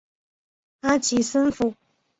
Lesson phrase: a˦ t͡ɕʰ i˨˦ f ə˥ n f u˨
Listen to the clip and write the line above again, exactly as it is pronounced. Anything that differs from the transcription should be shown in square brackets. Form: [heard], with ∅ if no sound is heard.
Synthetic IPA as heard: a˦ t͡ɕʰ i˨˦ [s] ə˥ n f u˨